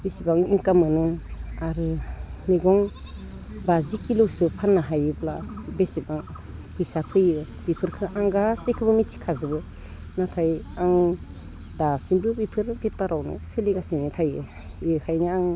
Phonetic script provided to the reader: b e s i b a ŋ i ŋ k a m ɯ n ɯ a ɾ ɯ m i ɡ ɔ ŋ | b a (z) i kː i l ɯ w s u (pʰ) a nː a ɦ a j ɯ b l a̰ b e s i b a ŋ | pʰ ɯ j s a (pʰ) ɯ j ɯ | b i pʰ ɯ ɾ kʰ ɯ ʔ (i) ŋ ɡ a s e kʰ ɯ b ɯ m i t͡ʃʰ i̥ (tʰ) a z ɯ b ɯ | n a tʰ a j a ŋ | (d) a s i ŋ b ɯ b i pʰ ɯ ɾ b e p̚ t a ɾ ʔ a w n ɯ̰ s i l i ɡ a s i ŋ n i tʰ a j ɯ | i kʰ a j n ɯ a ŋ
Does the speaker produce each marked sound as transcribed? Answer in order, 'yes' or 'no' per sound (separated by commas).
yes, yes, yes, no, no, yes